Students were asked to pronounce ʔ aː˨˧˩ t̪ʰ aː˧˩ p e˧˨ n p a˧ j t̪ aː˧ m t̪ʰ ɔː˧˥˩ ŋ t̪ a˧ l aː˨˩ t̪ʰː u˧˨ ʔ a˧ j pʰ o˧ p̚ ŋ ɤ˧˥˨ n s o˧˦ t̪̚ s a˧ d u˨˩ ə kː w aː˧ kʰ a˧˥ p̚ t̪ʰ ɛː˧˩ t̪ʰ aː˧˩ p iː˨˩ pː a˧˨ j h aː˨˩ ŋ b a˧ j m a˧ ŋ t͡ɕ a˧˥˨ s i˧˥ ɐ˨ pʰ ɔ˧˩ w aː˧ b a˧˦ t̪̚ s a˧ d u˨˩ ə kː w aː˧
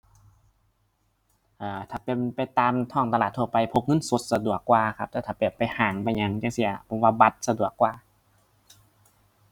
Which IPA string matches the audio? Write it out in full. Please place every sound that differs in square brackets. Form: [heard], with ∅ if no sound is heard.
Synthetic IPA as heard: ʔ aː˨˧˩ t̪ʰ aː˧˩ p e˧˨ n p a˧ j t̪ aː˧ m t̪ʰ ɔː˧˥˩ ŋ t̪ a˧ l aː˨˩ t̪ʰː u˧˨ [p] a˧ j pʰ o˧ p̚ ŋ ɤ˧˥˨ n s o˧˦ t̪̚ s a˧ d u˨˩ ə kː w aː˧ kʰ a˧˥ p̚ [t̪] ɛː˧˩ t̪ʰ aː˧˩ p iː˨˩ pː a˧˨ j h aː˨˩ ŋ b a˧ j [ɲ] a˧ ŋ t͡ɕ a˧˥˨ s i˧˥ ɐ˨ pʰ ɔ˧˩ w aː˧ b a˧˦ t̪̚ s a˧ d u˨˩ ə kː w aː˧